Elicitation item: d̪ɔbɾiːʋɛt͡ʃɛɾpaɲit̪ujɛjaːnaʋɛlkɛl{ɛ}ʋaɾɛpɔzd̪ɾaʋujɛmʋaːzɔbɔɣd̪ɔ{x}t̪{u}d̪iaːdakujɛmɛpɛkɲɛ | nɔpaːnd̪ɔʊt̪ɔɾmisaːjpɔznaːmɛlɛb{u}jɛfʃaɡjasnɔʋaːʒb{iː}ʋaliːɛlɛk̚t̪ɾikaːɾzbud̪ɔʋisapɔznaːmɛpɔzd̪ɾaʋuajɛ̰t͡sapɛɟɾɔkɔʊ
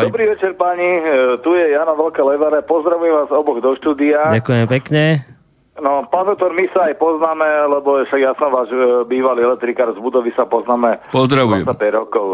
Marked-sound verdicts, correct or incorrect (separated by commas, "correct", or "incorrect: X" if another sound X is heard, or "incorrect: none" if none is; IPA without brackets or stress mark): correct, incorrect: ʃ, incorrect: uː, incorrect: ɔ, correct